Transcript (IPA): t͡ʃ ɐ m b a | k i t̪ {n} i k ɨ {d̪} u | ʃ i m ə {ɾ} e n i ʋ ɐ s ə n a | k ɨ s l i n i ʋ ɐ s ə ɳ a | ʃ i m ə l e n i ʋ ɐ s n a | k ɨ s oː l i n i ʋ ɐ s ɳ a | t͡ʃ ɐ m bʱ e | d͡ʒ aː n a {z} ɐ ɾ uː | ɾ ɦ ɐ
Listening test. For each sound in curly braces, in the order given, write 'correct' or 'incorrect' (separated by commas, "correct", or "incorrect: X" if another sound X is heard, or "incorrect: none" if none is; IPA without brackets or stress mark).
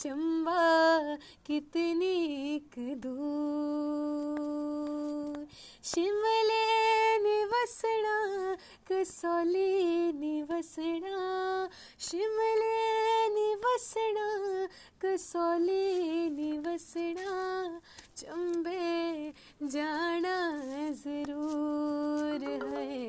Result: correct, correct, incorrect: l, correct